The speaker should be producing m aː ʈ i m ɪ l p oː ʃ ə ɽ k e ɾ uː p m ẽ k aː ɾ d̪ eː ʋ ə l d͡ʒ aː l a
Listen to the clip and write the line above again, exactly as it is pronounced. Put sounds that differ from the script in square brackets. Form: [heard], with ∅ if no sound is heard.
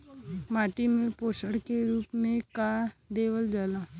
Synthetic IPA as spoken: m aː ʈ i m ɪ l p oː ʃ ə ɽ k e ɾ uː p m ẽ k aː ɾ d̪ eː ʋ ə l d͡ʒ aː l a